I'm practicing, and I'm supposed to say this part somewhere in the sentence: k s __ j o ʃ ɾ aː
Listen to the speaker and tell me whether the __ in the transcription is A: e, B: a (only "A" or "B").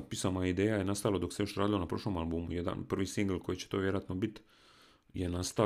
A